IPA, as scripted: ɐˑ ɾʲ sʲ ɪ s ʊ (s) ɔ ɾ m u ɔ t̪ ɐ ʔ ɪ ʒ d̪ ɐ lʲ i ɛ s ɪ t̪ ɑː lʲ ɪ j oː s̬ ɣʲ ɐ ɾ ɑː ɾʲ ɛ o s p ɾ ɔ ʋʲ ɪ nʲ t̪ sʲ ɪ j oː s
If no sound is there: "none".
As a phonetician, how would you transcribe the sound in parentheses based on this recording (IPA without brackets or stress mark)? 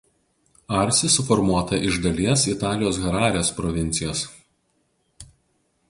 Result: f